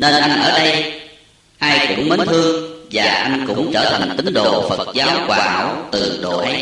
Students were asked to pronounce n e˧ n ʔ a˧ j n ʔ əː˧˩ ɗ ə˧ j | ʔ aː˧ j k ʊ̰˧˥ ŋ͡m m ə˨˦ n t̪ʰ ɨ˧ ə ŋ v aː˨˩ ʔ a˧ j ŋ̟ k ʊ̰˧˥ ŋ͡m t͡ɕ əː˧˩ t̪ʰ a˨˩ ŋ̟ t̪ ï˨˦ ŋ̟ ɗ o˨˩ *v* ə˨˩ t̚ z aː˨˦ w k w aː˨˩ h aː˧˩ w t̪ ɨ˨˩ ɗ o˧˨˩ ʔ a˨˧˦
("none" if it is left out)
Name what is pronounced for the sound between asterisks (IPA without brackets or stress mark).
f